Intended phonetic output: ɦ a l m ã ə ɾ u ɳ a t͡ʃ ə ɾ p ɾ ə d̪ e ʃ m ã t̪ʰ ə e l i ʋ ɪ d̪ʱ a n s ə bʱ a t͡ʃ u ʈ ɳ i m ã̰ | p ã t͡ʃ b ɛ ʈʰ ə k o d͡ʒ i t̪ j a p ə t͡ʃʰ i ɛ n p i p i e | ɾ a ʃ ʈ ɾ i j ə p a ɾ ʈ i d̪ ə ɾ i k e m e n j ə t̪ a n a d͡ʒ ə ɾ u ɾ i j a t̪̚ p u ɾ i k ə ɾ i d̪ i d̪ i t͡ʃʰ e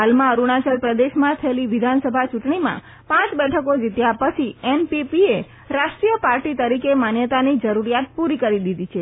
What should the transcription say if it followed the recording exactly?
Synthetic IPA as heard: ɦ a l m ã ə ɾ u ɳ a t͡ʃ ə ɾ p ɾ ə d̪ e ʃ m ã t̪ʰ ə e l i ʋ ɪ d̪ʱ a n s ə bʱ a t͡ʃ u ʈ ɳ i m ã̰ | p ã t͡ʃ b ɛ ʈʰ ə k o d͡ʒ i t̪ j a p ə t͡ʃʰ i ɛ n p i p i e | ɾ a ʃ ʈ ɾ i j ə p a ɾ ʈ i t̪ ə ɾ i k e m a n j ə t̪ a n i d͡ʒ ə ɾ u ɾ i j a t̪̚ p u ɾ i k ə ɾ i d̪ i d̪ i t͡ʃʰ e